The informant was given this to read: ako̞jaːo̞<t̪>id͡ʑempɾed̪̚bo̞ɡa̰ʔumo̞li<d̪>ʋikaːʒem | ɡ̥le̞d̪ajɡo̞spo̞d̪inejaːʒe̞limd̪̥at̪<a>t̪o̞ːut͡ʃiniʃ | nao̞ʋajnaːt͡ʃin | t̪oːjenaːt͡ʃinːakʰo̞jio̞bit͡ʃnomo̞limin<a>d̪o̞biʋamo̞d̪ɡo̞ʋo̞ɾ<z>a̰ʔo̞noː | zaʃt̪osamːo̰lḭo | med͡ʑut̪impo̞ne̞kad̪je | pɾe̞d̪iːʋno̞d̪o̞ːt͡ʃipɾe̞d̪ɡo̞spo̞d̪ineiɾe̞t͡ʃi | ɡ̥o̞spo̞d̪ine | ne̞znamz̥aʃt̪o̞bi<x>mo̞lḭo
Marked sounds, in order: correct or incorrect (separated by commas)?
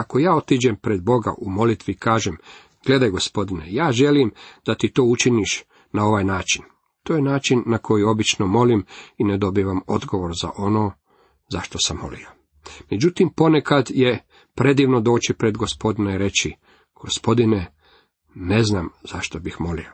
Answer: correct, incorrect, incorrect, incorrect, correct, correct